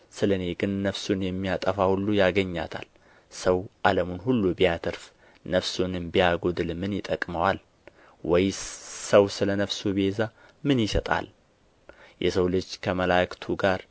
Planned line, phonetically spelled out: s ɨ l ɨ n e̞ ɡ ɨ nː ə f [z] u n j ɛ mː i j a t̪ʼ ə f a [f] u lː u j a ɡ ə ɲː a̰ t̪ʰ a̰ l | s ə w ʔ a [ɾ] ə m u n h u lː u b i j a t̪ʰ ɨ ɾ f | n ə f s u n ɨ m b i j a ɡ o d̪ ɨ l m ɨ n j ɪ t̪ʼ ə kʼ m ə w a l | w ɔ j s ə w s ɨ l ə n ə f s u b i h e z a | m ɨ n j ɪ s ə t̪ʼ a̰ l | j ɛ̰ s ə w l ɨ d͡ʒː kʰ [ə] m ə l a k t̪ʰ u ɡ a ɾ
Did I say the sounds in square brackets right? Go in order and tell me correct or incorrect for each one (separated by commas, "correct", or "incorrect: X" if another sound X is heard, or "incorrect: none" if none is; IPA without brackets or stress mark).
incorrect: s, incorrect: h, incorrect: l, correct